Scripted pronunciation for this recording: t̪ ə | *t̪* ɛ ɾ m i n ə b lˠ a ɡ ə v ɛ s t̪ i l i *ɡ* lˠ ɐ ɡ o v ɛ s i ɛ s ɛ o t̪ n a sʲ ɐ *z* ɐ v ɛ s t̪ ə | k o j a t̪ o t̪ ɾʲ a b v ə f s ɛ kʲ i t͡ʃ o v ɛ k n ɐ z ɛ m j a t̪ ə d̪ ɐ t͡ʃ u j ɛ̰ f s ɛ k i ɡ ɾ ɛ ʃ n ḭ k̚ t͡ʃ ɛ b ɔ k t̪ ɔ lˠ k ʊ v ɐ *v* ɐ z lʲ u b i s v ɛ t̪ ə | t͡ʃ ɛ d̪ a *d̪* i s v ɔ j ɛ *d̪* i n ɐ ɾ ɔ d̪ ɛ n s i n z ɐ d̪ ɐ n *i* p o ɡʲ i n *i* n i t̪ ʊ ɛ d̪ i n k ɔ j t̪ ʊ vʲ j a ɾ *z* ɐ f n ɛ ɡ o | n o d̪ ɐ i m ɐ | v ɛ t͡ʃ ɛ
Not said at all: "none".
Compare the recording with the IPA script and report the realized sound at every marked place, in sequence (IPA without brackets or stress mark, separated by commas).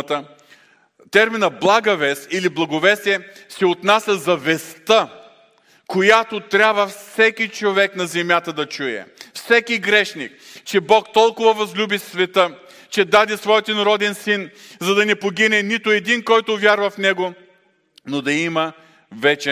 t̪, b, z, v, d̪, t̪, ɛ, ɛ, v